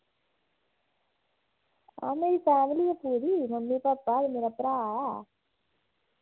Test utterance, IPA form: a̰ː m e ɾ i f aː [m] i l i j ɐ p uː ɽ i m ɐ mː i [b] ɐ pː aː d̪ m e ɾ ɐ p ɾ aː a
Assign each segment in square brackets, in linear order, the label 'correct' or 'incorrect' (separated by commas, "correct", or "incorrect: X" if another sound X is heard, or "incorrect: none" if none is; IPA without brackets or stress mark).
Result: correct, incorrect: p